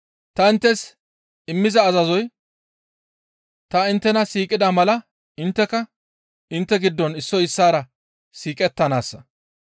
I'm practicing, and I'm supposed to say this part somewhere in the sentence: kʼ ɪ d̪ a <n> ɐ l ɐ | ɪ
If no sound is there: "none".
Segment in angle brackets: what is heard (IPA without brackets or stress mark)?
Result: m